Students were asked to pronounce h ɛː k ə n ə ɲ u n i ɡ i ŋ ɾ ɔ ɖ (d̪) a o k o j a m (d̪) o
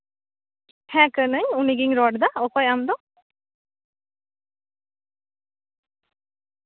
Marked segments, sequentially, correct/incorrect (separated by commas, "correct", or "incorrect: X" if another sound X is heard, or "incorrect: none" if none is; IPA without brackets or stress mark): correct, correct